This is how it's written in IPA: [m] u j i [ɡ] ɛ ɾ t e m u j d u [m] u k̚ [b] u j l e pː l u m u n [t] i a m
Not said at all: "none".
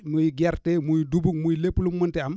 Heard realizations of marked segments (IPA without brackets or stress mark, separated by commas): m, ɡ, b, m, t